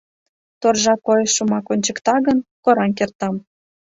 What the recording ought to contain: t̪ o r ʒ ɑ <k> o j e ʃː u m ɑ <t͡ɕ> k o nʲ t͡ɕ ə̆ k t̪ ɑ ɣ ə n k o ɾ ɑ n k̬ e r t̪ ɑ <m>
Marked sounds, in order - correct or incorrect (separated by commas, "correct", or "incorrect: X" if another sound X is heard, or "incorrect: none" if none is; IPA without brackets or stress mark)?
correct, incorrect: none, correct